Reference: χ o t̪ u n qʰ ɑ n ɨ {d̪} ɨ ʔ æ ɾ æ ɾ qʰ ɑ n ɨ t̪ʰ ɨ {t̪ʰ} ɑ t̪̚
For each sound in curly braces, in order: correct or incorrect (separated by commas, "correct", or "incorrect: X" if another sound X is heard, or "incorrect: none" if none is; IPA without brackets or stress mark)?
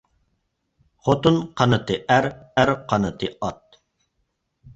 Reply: incorrect: t̪, incorrect: none